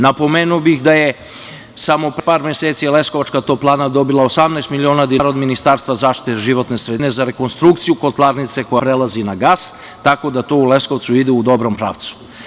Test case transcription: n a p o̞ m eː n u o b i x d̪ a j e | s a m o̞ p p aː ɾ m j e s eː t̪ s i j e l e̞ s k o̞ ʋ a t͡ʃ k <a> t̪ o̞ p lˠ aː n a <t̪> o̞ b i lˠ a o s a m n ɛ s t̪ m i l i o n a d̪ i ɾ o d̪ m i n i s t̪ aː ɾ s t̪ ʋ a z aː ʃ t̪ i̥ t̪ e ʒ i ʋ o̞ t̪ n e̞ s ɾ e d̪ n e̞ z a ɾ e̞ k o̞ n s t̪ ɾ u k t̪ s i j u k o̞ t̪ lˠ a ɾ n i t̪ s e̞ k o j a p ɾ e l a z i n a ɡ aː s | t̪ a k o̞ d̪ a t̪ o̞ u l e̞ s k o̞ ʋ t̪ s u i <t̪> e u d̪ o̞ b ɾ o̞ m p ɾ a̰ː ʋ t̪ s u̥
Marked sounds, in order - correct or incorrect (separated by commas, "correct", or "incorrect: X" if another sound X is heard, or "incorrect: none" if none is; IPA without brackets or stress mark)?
correct, incorrect: d̪, incorrect: d̪